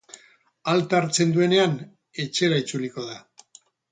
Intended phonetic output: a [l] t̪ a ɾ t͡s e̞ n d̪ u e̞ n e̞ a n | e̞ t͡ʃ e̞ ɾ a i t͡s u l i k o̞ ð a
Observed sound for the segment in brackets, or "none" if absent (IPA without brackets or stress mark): l